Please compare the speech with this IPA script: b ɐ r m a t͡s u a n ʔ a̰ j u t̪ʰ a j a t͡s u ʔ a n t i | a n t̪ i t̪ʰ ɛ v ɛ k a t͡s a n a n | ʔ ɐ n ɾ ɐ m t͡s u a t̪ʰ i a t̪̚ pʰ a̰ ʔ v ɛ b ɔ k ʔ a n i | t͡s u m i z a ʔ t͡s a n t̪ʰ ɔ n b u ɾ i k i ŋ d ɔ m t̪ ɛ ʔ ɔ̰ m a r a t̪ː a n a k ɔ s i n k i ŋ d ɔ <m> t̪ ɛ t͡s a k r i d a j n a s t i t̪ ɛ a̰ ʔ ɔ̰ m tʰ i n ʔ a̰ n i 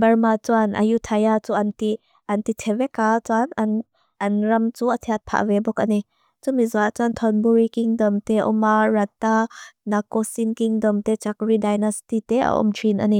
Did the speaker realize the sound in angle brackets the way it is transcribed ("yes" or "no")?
yes